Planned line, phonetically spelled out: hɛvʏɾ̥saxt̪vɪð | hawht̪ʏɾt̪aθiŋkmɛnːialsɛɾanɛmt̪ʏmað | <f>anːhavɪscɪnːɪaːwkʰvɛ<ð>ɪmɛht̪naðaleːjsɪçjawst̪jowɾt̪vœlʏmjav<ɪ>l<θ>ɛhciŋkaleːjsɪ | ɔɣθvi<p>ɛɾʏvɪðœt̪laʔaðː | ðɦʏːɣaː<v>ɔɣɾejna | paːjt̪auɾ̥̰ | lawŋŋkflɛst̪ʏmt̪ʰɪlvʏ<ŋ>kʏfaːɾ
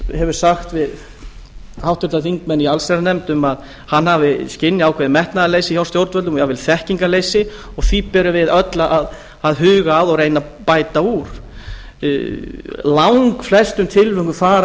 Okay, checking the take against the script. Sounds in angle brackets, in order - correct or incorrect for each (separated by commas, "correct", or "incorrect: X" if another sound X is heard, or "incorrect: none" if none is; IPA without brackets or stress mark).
incorrect: h, correct, correct, correct, correct, incorrect: ð, correct